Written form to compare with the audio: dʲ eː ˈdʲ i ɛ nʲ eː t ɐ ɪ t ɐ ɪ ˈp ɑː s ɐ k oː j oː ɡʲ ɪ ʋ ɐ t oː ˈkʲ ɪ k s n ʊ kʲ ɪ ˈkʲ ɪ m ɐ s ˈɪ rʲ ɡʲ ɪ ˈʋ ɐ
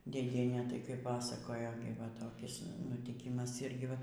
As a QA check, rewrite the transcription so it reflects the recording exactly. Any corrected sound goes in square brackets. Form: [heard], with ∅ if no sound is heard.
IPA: dʲ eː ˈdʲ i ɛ nʲ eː t ɐ ɪ [k] ɐ ɪ ˈp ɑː s ɐ k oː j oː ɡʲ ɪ ʋ ɐ t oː ˈkʲ ɪ [∅] s n ʊ [tʲ] ɪ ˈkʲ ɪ m ɐ s ˈɪ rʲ ɡʲ ɪ ˈʋ ɐ